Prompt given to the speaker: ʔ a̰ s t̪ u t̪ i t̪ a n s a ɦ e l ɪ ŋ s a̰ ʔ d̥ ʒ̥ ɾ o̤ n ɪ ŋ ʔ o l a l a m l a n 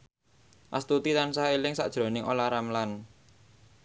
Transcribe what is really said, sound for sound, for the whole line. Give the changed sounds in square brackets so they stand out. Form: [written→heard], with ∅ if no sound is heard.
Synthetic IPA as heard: ʔ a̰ s t̪ u t̪ i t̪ a n s a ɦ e l ɪ ŋ s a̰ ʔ d̥ ʒ̥ ɾ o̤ n ɪ ŋ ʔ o l a [l→ɾ] a m l a n